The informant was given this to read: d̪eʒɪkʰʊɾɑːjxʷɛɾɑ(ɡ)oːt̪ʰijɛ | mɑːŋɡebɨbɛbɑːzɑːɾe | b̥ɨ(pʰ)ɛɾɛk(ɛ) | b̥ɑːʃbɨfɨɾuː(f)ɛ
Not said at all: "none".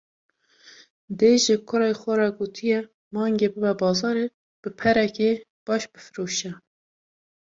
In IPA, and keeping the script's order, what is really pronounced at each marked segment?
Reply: ɡ, pʰ, e, ʃ

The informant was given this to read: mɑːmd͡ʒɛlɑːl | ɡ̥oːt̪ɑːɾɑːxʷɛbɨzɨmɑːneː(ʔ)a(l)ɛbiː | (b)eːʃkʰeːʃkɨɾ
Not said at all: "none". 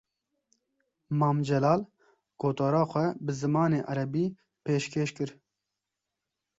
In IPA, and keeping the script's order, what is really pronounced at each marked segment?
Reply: ʔ, ɾ, p

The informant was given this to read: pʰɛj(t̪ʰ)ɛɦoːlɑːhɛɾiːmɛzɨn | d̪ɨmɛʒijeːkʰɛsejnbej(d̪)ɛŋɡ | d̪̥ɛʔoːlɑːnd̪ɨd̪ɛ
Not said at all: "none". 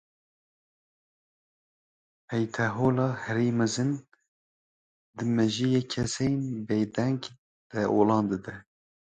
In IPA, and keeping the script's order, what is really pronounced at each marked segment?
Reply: t̪ʰ, d̪

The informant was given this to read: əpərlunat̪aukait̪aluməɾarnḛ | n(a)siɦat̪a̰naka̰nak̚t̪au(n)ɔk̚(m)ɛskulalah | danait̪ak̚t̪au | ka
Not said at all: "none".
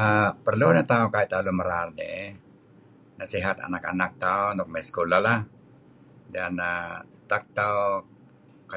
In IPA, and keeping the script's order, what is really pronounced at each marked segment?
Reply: a, n, m

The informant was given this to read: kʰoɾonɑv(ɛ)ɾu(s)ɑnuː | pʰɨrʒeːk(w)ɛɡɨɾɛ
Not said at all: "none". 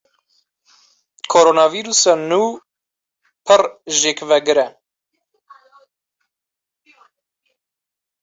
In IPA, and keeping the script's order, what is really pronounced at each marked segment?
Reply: i, s, v

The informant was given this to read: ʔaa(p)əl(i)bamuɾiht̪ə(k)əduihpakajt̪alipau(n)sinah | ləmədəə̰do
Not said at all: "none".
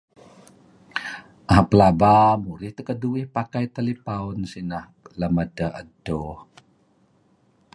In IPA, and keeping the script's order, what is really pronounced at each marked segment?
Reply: p, a, k, n

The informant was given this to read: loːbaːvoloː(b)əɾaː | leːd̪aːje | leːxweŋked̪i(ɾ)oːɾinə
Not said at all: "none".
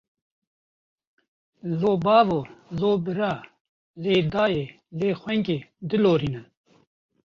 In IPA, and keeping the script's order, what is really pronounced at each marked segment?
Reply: b, l

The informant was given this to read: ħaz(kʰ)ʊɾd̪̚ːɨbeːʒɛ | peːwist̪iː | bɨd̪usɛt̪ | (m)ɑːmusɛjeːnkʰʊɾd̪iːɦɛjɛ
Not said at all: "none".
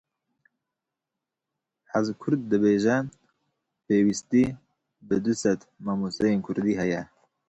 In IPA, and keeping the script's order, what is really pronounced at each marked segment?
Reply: kʰ, m

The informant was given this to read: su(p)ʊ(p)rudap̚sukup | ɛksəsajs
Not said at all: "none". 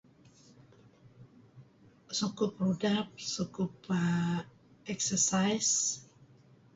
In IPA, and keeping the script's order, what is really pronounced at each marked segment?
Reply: k, p

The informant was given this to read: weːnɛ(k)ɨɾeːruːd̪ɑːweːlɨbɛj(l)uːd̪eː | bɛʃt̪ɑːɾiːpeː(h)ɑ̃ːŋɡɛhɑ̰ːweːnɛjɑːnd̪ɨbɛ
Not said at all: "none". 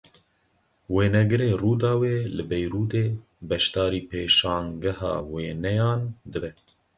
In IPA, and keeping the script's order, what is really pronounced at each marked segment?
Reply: ɡ, ɾ, ʃ

